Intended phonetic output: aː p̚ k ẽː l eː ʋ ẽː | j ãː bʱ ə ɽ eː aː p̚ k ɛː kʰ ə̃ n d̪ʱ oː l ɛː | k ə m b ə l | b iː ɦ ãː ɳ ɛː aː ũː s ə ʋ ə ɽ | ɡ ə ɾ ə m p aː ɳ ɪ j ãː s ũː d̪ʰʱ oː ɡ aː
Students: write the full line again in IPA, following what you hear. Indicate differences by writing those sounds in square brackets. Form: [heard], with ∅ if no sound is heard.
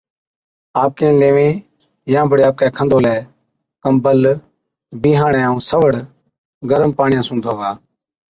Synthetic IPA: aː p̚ k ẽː l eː ʋ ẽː | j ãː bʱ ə ɽ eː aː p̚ k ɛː kʰ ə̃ n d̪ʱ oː l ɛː | k ə m b ə l | b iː ɦ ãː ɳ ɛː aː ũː s ə ʋ ə ɽ | ɡ ə ɾ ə m p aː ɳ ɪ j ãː s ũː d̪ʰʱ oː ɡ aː